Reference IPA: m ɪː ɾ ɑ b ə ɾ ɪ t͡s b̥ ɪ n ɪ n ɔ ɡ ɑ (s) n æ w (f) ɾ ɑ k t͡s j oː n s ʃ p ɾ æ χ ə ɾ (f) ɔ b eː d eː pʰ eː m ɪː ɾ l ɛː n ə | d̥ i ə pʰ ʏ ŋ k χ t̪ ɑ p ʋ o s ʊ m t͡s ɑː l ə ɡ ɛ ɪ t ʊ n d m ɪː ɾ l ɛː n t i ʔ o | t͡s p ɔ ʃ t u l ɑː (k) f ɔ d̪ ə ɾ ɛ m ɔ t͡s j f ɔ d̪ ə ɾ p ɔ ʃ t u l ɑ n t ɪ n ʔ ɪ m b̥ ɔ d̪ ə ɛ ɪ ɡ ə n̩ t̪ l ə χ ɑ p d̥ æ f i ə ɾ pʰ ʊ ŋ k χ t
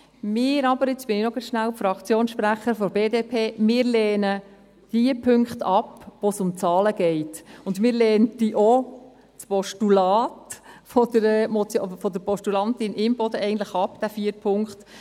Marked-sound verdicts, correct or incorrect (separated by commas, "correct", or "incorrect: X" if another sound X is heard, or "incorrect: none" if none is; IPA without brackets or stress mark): incorrect: ʃ, correct, correct, incorrect: t